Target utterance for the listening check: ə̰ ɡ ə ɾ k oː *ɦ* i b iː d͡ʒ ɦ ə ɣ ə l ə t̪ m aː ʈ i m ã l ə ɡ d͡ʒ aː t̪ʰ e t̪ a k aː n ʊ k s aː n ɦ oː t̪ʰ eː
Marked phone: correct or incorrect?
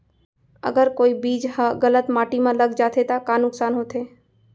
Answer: incorrect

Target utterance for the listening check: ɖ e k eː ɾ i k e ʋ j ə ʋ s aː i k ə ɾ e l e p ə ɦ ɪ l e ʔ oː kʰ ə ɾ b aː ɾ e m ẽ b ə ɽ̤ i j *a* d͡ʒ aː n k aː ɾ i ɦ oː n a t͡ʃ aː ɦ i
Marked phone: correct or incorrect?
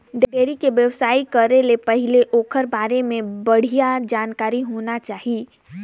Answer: correct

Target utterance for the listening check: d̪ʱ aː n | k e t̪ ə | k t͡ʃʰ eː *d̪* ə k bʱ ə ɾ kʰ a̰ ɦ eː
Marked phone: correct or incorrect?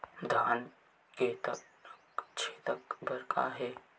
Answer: incorrect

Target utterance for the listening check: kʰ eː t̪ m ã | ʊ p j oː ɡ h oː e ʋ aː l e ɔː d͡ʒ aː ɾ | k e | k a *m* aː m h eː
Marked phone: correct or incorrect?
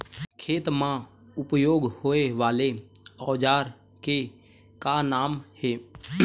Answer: incorrect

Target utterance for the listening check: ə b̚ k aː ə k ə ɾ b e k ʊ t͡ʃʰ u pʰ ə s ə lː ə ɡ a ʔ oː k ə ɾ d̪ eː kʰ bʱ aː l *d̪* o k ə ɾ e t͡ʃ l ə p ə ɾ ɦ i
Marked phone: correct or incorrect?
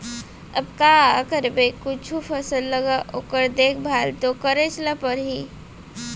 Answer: incorrect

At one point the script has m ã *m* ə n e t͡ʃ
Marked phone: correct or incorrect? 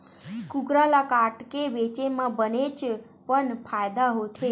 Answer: incorrect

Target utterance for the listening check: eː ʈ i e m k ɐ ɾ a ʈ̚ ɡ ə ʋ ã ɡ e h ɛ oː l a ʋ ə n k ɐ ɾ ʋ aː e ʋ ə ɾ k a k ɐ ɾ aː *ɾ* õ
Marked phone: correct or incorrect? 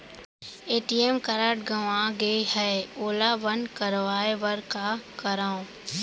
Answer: incorrect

